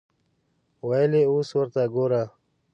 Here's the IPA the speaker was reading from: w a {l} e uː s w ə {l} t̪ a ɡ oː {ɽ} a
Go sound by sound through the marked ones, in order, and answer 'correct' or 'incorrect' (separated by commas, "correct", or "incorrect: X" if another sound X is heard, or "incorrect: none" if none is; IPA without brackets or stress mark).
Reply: correct, incorrect: ɾ, incorrect: ɾ